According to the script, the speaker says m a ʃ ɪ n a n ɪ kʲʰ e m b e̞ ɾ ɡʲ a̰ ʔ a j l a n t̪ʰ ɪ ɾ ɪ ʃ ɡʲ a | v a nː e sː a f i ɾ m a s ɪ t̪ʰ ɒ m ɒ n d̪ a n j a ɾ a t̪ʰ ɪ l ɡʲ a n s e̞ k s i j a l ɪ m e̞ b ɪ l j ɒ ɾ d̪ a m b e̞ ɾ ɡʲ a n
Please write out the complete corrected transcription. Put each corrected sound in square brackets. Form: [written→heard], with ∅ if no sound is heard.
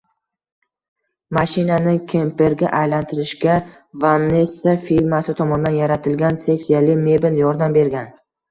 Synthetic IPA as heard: m a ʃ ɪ n a n ɪ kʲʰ e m [b→p] e̞ ɾ ɡʲ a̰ ʔ a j l a n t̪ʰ ɪ ɾ ɪ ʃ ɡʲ a | v a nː e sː a f i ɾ m a s ɪ t̪ʰ ɒ m ɒ n d̪ a n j a ɾ a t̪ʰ ɪ l ɡʲ a n s e̞ k s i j a l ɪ m e̞ b ɪ l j ɒ ɾ d̪ a m b e̞ ɾ ɡʲ a n

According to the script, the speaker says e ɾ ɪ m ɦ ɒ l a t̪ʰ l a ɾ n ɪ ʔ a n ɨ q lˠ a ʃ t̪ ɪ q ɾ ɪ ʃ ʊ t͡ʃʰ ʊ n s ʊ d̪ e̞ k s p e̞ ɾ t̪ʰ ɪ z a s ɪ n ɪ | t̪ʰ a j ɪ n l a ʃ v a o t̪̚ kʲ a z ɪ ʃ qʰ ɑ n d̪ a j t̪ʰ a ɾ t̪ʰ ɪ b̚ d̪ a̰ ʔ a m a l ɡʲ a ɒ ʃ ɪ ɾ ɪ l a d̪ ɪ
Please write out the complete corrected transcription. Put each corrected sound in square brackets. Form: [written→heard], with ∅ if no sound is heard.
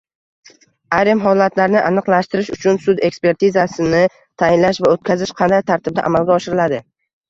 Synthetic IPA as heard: [e→a] ɾ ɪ m ɦ ɒ l a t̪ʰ l a ɾ n ɪ ʔ a n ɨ q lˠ a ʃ t̪ ɪ [q→∅] ɾ ɪ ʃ ʊ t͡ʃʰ ʊ n s ʊ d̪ e̞ k s p e̞ ɾ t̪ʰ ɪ z a s ɪ n ɪ | t̪ʰ a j ɪ n l a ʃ v a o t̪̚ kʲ a z ɪ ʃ qʰ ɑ n d̪ a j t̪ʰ a ɾ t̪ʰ ɪ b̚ d̪ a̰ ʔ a m a l ɡʲ a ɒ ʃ ɪ ɾ ɪ l a d̪ ɪ

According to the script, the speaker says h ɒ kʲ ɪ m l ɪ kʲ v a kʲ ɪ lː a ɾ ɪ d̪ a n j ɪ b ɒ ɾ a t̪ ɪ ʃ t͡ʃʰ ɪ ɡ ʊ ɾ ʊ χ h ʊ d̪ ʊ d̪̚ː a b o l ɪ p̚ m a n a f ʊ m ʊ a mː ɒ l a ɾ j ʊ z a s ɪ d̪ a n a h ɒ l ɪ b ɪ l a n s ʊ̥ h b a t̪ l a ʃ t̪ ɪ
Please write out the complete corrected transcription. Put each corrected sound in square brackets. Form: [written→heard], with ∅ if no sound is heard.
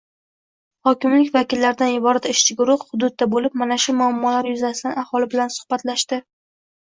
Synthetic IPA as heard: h ɒ kʲ ɪ m l ɪ kʲ v a kʲ ɪ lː a ɾ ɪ d̪ a n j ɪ b ɒ ɾ a t̪ ɪ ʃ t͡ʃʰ ɪ ɡ ʊ ɾ ʊ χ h ʊ d̪ ʊ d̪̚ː a b o l ɪ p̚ m a n a [f→ʃ] ʊ m ʊ a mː ɒ l a ɾ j ʊ z a s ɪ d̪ a n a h ɒ l ɪ b ɪ l a n s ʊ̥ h b a t̪ l a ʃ t̪ ɪ

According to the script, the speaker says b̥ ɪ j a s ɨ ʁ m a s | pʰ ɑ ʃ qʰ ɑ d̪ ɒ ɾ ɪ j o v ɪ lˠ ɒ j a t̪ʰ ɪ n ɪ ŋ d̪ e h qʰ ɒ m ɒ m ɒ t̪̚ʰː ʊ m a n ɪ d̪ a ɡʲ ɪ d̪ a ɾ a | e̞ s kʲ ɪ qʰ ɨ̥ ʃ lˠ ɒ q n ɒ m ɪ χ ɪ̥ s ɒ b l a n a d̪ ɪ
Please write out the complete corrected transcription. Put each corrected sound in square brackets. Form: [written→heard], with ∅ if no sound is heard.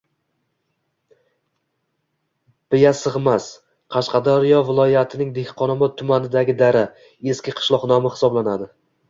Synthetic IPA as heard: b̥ ɪ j a s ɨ ʁ m a s | [pʰ→qʰ] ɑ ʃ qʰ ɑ d̪ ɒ ɾ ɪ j [o→ɒ] v ɪ lˠ ɒ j a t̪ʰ ɪ n ɪ ŋ d̪ e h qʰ ɒ [m→n] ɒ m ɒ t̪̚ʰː ʊ m a n ɪ d̪ a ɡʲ ɪ d̪ a ɾ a | e̞ s kʲ ɪ qʰ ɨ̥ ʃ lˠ ɒ q n ɒ m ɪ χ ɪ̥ s ɒ b l a n a d̪ ɪ

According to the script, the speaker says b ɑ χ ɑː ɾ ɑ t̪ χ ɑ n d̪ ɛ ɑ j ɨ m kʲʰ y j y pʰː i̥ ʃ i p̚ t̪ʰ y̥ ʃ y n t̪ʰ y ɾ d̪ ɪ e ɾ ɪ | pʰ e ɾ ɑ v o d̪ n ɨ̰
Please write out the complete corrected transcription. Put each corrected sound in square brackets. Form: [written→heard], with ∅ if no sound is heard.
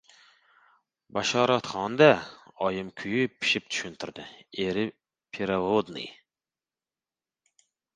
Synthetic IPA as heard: b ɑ [χ→ʃ] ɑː ɾ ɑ t̪ χ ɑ n d̪ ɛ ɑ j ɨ m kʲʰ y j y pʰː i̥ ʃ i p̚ t̪ʰ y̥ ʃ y n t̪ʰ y ɾ d̪ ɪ e ɾ ɪ | pʰ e ɾ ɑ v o d̪ n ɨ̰

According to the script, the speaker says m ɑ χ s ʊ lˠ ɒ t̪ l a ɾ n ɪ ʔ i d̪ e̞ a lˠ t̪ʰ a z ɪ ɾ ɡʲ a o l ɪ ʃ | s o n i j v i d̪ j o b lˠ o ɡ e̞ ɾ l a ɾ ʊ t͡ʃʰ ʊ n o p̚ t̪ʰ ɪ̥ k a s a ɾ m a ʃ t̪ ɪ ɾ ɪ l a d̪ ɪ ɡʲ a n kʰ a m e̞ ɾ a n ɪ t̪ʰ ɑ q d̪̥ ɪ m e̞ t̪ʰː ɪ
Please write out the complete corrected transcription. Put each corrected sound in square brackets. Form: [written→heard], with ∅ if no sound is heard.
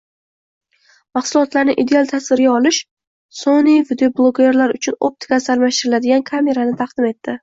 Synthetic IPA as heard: m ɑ χ s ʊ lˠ ɒ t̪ l a ɾ n ɪ ʔ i d̪ e̞ a lˠ t̪ʰ a [z→s] ɪ ɾ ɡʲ a [o→ɒ] l ɪ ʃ | s o n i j v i d̪ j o b lˠ o ɡ e̞ ɾ l a ɾ ʊ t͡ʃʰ ʊ n o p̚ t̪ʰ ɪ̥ k a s a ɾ m a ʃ t̪ ɪ ɾ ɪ l a d̪ ɪ ɡʲ a n kʰ a m e̞ ɾ a n ɪ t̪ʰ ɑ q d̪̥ ɪ m e̞ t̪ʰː ɪ

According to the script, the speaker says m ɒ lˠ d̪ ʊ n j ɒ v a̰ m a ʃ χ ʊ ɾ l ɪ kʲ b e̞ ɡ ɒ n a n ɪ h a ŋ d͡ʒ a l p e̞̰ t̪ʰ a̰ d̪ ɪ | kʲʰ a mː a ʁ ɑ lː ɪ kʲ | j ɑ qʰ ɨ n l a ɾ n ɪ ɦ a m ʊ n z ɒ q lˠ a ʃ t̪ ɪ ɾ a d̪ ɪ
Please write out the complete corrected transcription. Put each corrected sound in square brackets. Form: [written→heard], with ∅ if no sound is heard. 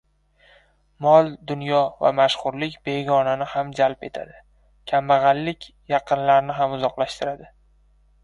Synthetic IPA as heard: m ɒ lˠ d̪ ʊ n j ɒ v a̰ m a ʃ χ ʊ ɾ l ɪ kʲ b e̞ ɡ ɒ n a n ɪ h a [ŋ→m] d͡ʒ a l p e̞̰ t̪ʰ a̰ d̪ ɪ | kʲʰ a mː a ʁ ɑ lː ɪ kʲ | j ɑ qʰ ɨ n l a ɾ n ɪ ɦ a m ʊ [n→∅] z ɒ q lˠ a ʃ t̪ ɪ ɾ a d̪ ɪ

